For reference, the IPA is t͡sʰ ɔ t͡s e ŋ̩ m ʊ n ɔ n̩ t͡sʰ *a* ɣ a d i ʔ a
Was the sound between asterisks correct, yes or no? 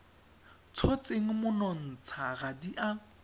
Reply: yes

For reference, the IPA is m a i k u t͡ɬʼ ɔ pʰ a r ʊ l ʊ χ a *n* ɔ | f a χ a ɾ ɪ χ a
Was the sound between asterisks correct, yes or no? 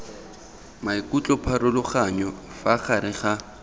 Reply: no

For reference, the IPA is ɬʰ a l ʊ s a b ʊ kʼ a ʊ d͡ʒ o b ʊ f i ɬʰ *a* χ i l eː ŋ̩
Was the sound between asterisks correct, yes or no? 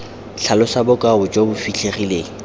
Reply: no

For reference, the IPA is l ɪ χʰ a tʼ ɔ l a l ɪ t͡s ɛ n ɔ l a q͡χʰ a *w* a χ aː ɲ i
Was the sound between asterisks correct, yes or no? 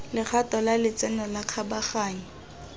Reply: no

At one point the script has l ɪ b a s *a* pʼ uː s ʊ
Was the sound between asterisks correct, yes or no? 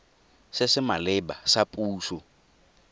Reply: yes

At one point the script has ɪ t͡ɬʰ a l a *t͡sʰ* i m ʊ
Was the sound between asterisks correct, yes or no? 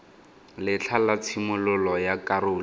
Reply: yes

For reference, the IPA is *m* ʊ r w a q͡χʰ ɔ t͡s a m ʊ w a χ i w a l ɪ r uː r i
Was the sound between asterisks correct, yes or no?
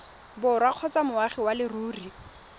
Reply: no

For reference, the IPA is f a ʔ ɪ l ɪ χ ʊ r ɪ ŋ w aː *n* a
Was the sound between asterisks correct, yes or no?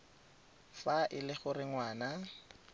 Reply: yes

